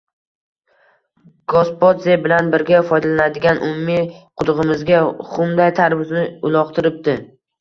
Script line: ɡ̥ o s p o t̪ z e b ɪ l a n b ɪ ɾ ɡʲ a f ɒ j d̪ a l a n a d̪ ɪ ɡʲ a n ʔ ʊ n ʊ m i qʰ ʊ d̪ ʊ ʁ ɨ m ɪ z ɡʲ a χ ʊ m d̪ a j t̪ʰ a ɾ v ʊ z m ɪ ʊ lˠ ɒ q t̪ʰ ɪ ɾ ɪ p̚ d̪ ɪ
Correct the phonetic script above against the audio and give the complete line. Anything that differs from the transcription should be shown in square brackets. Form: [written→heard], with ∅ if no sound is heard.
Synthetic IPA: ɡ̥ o s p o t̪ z e b ɪ l a n b ɪ ɾ ɡʲ a f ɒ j d̪ a l a n a d̪ ɪ ɡʲ a n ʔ ʊ [n→m] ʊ m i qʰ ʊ d̪ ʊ ʁ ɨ m ɪ z ɡʲ a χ ʊ m d̪ a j t̪ʰ a ɾ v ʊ z [m→n] ɪ ʊ lˠ ɒ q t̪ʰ ɪ ɾ ɪ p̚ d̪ ɪ